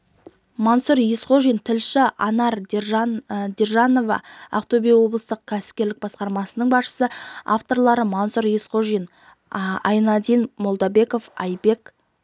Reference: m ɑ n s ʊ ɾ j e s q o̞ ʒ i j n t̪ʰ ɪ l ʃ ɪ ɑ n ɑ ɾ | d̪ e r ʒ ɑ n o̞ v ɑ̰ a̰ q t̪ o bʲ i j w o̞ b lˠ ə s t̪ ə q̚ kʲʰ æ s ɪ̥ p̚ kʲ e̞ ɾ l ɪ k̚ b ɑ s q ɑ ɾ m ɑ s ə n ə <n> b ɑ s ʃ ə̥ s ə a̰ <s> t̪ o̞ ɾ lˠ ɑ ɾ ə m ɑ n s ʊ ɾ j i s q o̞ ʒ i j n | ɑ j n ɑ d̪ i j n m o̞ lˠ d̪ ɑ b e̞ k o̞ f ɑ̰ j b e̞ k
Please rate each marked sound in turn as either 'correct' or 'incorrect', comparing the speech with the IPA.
incorrect: ɴ, incorrect: f

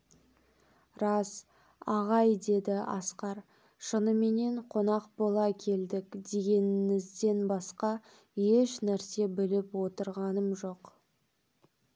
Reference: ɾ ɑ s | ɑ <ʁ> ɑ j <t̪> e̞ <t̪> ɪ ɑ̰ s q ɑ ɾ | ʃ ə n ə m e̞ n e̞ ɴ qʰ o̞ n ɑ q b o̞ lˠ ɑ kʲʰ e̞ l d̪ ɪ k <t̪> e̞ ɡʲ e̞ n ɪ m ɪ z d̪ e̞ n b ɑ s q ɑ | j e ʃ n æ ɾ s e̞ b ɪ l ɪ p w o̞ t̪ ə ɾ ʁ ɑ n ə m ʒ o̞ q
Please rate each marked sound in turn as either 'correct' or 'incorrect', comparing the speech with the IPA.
correct, incorrect: d̪, incorrect: d̪, incorrect: d̪

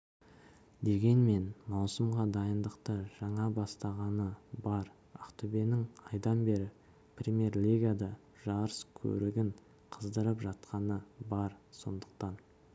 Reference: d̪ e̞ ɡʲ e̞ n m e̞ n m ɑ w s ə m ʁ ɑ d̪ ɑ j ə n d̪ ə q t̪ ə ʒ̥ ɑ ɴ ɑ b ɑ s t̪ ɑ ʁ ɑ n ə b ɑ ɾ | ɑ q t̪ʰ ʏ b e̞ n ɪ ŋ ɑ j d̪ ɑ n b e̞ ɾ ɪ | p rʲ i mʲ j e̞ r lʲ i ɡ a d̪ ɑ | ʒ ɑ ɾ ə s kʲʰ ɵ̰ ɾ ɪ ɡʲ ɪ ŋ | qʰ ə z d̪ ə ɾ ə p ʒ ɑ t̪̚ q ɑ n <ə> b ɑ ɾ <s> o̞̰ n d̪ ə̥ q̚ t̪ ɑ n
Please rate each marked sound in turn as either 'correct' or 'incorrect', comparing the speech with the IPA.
correct, correct

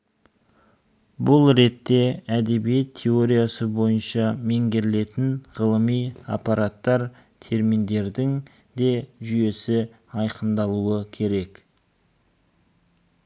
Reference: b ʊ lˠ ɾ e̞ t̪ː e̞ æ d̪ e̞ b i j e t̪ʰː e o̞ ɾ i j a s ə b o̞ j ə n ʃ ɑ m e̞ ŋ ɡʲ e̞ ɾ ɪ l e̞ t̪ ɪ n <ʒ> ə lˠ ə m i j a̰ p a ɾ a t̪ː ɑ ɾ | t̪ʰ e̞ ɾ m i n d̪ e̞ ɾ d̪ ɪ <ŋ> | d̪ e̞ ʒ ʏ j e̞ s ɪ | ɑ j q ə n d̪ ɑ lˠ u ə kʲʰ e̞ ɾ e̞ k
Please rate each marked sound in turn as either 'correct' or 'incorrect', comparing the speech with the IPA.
incorrect: ʁ, correct

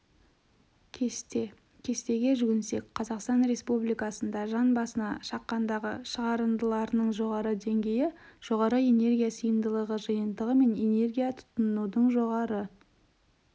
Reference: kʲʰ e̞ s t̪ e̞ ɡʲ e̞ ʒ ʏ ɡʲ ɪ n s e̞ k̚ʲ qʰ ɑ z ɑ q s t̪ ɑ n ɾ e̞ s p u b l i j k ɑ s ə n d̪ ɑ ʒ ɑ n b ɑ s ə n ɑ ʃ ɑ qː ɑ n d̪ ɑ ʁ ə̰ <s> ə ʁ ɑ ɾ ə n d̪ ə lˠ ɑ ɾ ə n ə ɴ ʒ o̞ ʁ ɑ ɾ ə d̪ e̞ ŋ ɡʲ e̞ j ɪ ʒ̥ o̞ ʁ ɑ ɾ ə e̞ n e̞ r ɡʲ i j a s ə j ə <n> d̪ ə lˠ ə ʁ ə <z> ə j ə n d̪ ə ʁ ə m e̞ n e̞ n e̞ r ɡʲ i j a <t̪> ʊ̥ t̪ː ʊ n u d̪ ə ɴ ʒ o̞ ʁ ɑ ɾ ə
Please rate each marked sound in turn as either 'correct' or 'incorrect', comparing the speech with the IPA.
incorrect: ʃ, correct, incorrect: ʒ, incorrect: t̪ʰ

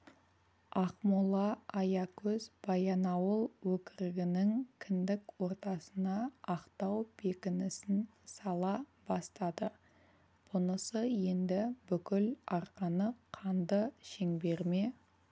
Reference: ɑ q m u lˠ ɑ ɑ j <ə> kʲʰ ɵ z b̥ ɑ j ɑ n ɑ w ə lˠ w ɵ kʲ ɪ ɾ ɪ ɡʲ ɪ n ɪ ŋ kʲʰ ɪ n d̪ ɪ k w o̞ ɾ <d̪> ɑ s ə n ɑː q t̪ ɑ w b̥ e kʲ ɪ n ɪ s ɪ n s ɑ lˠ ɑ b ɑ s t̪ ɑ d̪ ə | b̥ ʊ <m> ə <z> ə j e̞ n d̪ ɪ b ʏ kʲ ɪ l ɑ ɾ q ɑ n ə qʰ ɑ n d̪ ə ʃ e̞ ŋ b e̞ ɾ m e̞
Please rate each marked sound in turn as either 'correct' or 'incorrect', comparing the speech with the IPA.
incorrect: ɑ, incorrect: t̪, incorrect: n, incorrect: s

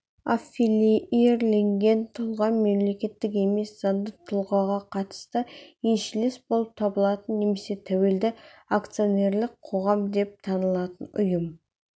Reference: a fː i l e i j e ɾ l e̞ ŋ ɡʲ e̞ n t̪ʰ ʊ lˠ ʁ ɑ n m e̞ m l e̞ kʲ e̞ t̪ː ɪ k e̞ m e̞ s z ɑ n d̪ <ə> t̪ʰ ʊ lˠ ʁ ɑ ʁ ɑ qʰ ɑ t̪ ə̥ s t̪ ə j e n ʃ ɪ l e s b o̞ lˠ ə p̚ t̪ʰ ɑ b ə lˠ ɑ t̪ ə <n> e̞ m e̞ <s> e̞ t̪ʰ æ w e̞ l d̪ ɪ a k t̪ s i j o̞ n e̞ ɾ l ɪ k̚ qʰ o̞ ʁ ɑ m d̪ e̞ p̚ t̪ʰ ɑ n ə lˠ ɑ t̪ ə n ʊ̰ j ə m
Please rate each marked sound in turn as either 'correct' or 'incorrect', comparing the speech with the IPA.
correct, incorrect: nː, correct

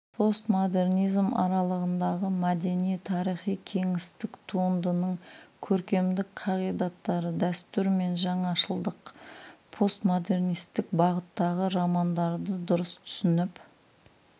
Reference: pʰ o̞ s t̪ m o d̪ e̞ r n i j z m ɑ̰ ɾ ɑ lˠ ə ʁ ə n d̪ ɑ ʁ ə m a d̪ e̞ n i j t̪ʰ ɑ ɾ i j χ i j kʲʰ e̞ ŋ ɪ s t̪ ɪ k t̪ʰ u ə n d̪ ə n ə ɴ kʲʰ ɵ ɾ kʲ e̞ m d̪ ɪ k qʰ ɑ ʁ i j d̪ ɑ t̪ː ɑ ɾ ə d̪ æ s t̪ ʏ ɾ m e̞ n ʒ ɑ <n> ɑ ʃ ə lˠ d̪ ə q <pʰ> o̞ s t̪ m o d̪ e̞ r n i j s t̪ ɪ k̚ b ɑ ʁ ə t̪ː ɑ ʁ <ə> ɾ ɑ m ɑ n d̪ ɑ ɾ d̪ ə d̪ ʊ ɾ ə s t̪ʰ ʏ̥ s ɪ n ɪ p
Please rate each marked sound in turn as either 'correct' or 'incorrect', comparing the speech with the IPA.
incorrect: ɴ, correct, correct

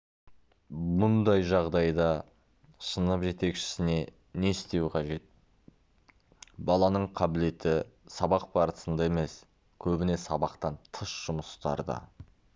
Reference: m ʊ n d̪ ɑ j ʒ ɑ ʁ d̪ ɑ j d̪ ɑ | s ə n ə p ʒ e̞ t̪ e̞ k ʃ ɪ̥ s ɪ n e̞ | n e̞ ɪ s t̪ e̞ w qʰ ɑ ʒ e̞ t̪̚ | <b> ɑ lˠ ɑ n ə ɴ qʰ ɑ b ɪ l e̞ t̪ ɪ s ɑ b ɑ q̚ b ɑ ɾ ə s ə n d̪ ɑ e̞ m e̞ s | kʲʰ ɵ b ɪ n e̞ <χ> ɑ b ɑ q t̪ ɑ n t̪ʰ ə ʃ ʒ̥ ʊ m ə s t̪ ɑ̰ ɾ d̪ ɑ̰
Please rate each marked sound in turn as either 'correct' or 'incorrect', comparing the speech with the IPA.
correct, incorrect: s

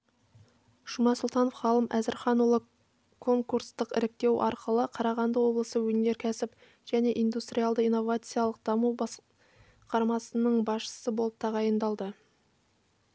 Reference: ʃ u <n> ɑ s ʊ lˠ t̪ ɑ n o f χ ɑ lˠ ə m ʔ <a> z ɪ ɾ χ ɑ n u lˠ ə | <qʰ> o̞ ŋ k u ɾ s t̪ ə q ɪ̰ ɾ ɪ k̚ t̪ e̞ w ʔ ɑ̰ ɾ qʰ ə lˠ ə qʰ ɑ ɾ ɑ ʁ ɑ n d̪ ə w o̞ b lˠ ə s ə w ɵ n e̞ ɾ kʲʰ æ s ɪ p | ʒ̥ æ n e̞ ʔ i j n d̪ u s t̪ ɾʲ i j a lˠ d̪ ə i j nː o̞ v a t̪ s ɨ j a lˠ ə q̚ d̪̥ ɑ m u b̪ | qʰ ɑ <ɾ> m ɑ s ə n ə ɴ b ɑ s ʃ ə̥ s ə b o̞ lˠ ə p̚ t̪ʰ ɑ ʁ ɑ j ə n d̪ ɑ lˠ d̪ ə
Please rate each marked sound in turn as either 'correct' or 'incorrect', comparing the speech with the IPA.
incorrect: m, incorrect: æ, incorrect: kʰ, correct

